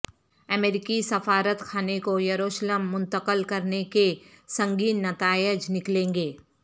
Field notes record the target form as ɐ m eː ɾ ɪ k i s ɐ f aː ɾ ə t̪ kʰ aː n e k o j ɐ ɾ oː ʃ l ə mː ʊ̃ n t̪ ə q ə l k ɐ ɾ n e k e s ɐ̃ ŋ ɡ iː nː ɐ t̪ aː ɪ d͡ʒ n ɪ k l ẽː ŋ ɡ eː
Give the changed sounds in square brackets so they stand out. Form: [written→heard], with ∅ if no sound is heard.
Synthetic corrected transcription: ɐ m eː ɾ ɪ k i s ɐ f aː ɾ ə t̪ kʰ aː n e k o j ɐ ɾ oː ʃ l ə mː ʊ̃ n t̪ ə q ə l k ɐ ɾ n e k e s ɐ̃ ŋ ɡ iː nː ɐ t̪ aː ɪ d͡ʒ n ɪ k l ẽː ŋ ɡ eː